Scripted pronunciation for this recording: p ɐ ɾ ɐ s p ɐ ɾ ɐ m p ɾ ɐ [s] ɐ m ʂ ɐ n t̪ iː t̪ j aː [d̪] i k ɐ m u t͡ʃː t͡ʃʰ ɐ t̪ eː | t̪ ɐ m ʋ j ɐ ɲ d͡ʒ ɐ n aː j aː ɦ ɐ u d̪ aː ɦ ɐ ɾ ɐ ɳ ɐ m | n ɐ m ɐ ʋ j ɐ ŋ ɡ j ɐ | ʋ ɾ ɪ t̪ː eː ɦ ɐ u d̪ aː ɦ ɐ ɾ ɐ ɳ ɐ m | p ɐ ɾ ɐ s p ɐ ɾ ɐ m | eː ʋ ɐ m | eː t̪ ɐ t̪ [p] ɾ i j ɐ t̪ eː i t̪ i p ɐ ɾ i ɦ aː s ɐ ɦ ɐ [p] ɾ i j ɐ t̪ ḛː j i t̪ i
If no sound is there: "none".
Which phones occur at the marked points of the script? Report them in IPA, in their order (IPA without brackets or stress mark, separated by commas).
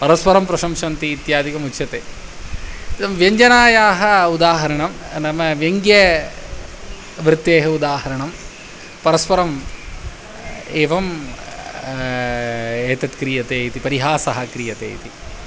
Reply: ʃ, d̪, k, k